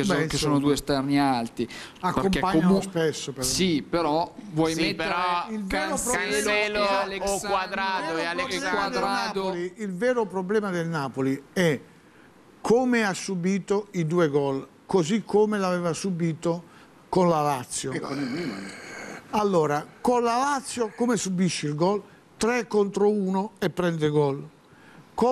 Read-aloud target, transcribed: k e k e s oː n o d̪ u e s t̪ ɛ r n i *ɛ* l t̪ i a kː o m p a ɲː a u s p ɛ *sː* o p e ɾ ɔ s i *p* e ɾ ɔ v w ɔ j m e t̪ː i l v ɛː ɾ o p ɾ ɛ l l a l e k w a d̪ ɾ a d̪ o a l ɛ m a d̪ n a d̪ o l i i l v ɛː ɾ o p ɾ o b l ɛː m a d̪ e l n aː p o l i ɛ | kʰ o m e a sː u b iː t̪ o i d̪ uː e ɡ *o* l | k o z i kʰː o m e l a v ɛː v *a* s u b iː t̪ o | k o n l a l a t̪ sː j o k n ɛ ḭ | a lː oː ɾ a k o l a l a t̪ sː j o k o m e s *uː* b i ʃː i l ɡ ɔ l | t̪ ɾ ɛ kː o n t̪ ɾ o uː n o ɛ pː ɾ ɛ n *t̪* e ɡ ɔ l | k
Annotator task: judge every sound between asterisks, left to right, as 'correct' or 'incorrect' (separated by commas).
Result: incorrect, correct, correct, incorrect, correct, incorrect, incorrect